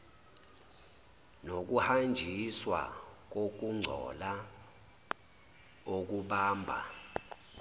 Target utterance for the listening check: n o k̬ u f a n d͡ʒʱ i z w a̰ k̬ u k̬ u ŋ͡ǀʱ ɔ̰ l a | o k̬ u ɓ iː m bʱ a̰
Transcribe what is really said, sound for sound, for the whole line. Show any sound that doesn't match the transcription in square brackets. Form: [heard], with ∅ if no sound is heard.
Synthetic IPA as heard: n o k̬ u [h] a n d͡ʒʱ i [s] w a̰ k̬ [o] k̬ u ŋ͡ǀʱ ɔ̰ l a | o k̬ u ɓ [aː] m bʱ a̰